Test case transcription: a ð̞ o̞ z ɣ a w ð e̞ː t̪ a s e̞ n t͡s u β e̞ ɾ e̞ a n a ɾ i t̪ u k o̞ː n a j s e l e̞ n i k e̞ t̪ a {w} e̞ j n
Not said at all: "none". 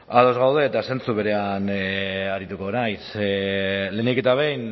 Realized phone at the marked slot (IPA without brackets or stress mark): β